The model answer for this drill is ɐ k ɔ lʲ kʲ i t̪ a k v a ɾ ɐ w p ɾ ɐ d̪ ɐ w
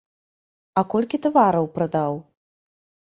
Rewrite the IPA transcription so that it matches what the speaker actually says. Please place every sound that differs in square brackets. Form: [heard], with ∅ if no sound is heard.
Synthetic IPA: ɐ k ɔ lʲ kʲ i t̪ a [∅] v a ɾ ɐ w p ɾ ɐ d̪ [a] w